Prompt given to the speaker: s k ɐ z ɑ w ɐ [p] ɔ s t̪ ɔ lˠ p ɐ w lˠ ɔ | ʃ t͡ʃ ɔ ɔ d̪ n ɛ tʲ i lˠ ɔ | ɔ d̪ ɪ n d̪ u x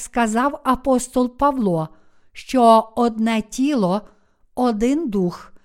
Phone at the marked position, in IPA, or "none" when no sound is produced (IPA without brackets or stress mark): p